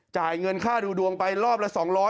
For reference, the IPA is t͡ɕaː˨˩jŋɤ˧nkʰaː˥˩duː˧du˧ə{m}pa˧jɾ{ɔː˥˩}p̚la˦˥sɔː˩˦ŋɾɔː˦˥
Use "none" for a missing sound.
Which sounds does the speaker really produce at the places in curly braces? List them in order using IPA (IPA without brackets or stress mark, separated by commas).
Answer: ŋ, ɔː˥˩